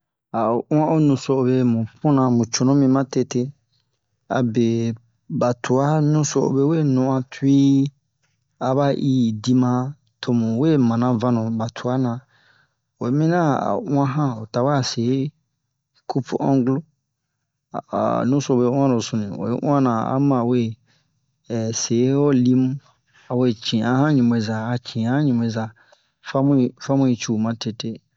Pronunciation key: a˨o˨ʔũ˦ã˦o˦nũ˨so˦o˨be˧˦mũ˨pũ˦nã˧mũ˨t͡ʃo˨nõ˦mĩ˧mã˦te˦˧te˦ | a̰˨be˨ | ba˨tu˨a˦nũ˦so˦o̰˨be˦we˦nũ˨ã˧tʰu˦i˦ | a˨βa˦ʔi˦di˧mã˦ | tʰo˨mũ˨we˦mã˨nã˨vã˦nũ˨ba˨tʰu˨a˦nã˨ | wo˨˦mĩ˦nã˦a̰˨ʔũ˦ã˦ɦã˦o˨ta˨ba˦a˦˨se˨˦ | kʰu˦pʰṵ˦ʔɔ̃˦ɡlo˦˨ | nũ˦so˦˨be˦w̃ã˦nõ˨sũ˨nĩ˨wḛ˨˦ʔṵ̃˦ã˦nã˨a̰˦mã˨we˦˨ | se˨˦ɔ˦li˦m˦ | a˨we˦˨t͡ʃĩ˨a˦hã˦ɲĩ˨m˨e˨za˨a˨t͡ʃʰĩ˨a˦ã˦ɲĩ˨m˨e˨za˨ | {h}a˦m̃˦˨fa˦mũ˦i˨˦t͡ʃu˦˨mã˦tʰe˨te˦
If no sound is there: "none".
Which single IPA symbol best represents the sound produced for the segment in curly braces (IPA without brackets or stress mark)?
f